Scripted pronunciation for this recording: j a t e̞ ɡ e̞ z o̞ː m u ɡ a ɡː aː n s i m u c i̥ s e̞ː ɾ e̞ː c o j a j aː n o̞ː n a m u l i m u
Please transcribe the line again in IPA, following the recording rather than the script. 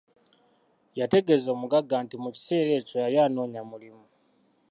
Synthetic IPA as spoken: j a t e̞ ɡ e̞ z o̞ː m u ɡ a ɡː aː n t i m u c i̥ s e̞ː ɾ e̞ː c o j a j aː n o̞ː ɲ a m u l i m u